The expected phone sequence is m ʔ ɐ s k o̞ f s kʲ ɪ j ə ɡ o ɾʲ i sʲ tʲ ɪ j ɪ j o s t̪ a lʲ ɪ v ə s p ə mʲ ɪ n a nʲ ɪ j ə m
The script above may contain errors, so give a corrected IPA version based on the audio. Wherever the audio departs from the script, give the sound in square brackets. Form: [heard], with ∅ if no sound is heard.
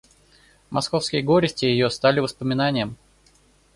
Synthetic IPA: m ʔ ɐ s k o̞ f s kʲ ɪ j ə ɡ o ɾʲ [ɪ] sʲ tʲ ɪ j ɪ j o s t̪ a lʲ ɪ v ə s p ə mʲ ɪ n a nʲ ɪ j ə m